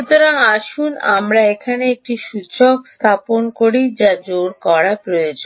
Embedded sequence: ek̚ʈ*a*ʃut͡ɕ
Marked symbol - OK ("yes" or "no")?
no